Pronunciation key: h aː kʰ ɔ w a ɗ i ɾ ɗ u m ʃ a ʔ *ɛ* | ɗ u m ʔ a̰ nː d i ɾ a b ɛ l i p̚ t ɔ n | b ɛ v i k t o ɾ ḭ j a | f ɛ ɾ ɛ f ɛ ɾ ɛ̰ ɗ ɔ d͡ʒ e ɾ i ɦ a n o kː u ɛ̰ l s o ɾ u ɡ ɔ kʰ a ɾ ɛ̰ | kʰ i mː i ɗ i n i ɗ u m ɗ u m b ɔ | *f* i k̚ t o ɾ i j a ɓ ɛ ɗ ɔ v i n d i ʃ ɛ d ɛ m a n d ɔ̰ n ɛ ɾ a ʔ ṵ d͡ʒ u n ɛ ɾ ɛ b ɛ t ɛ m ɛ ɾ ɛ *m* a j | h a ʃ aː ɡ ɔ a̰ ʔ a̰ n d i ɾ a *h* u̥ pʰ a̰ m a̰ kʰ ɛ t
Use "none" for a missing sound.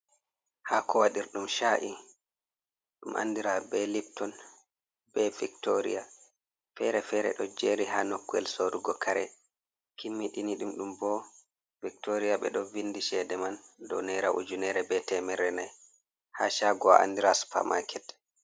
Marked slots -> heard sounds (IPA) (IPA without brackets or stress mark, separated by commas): i, v, n, s